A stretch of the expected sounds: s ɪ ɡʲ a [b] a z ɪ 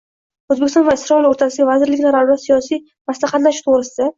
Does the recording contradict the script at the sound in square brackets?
yes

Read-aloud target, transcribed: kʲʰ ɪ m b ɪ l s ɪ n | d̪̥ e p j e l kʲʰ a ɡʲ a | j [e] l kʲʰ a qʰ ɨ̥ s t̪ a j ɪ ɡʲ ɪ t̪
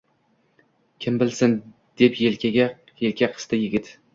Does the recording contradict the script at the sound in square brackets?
no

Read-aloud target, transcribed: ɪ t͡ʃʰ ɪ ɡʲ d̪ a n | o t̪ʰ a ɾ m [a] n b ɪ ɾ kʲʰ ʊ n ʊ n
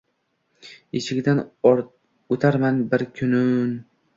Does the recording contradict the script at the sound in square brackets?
no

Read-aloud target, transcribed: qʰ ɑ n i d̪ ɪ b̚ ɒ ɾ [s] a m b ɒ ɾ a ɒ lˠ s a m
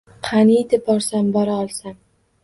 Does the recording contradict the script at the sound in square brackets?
no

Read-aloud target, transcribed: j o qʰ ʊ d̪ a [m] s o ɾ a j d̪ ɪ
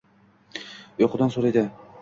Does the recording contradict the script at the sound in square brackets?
yes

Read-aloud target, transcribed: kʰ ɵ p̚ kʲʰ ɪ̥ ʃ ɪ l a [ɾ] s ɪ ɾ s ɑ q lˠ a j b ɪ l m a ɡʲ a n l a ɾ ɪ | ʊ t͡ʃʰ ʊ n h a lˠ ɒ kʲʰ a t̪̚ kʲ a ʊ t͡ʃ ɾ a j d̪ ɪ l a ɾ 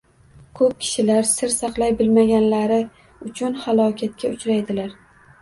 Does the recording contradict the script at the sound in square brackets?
no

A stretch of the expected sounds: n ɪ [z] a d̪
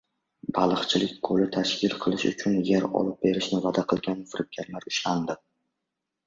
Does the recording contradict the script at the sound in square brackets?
yes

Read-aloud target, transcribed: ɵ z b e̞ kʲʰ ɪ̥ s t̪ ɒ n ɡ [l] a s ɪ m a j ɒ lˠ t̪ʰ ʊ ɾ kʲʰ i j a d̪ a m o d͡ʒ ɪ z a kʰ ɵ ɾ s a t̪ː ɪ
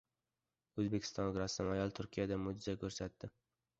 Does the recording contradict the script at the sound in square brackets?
yes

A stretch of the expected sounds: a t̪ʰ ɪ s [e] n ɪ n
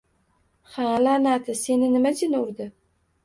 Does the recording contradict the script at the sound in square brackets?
no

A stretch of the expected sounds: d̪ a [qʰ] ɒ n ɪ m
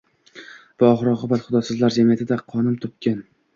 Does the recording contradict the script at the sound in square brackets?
no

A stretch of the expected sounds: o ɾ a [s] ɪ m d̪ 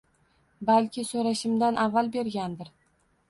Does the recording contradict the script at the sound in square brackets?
yes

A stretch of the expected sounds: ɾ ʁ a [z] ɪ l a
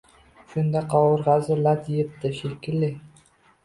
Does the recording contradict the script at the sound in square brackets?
no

